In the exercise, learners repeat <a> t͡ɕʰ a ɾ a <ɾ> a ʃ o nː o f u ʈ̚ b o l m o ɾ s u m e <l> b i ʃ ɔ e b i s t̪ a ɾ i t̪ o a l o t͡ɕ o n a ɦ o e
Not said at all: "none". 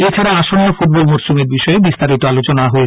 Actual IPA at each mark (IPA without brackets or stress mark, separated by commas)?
e, none, ɾ